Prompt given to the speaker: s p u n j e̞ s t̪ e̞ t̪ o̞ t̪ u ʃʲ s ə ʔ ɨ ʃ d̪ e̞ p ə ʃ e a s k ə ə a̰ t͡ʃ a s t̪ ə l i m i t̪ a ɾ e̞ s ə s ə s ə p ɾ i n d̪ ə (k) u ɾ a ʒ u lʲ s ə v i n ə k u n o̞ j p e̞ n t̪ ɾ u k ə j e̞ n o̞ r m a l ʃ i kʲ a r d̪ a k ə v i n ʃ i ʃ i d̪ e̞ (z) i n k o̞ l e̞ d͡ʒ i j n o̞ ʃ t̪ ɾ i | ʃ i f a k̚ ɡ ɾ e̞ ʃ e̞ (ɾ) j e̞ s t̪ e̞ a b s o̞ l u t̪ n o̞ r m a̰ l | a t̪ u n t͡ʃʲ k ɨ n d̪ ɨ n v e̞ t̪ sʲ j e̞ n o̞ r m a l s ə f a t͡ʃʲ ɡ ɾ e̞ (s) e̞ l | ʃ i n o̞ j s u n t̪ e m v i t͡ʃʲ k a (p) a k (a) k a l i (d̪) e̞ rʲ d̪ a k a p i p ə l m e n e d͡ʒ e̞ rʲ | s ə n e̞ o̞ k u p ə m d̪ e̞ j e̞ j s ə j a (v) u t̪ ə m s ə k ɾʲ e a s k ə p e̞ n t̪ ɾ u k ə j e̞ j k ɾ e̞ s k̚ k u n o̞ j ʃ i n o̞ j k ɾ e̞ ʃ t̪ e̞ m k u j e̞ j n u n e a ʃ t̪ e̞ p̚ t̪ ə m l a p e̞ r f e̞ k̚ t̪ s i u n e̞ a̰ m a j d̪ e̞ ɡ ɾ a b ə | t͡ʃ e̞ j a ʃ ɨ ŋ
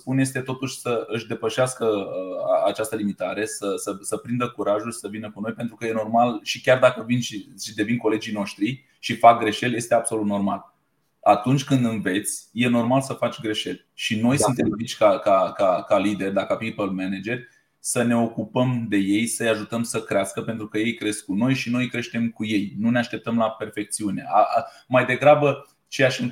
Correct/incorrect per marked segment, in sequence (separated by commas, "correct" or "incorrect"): correct, incorrect, incorrect, incorrect, incorrect, correct, correct, incorrect